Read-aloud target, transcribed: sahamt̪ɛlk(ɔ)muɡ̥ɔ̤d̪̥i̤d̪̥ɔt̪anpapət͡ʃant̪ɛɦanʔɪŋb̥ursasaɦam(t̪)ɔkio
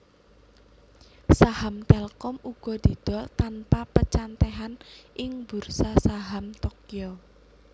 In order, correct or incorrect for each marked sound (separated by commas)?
correct, correct